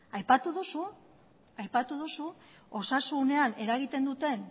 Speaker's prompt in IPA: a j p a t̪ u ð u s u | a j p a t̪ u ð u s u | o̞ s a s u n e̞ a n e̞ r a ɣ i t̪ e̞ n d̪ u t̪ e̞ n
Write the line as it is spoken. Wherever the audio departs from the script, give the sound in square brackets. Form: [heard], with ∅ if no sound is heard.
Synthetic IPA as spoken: a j p a t̪ u ð u s u | a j p a t̪ u ð u s u | o̞ s a s u n e̞ a n e̞ [ɾ] a ɣ i t̪ e̞ n d̪ u t̪ e̞ n